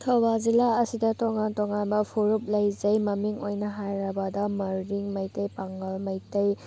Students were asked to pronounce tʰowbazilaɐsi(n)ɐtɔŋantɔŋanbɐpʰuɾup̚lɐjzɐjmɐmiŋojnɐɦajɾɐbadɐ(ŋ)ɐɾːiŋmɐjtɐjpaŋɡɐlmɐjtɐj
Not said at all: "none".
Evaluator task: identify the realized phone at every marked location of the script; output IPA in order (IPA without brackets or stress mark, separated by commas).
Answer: d, m